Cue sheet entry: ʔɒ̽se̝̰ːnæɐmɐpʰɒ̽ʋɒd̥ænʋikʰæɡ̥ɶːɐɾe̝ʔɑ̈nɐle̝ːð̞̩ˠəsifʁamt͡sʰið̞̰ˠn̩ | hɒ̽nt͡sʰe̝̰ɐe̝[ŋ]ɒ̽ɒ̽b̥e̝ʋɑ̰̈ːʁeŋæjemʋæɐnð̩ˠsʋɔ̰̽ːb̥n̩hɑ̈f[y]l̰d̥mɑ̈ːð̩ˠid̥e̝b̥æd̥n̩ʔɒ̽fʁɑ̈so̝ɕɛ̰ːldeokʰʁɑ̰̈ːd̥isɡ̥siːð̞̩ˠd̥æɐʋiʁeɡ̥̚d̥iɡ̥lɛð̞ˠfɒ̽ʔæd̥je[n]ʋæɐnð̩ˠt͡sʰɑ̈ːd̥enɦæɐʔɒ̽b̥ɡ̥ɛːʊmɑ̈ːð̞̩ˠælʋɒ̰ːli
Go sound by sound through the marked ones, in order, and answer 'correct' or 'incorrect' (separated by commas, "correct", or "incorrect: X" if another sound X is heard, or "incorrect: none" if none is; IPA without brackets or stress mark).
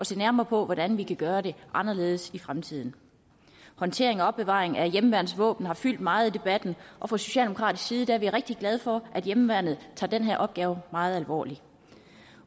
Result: correct, correct, incorrect: m